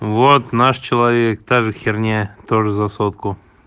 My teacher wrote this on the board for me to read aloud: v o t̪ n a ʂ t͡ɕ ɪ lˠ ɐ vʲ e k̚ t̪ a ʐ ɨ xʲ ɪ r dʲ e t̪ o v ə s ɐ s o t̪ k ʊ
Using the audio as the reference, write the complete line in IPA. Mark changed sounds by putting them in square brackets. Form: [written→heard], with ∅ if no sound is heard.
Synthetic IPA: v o t̪ n a ʂ t͡ɕ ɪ lˠ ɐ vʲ e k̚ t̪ a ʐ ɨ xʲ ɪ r [dʲ→nʲ] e t̪ o [v→ʐ] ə [s→z] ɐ s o t̪ k ʊ